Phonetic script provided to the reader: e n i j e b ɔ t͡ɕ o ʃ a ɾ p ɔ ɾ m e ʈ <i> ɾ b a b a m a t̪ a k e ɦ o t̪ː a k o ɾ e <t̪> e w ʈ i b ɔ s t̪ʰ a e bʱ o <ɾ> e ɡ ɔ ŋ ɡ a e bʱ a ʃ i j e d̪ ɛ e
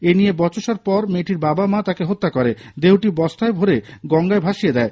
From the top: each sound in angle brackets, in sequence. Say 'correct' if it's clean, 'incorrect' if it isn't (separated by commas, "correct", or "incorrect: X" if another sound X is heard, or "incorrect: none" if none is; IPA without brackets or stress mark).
correct, incorrect: d̪, correct